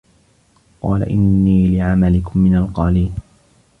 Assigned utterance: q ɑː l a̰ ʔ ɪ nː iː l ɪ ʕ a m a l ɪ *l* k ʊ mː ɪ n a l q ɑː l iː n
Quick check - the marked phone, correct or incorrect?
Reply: incorrect